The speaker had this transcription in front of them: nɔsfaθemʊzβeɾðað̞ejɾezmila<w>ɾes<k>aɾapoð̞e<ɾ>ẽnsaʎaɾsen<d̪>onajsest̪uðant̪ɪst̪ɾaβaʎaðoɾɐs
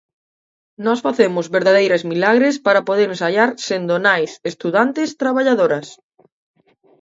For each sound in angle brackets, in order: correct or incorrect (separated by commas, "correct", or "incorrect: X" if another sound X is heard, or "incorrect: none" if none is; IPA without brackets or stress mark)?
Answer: incorrect: ɣ, incorrect: p, correct, correct